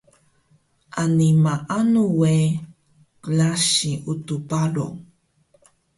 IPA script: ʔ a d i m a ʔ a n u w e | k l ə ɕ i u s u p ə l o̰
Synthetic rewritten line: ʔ a n i m a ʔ a n u w e | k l a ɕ i u t u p a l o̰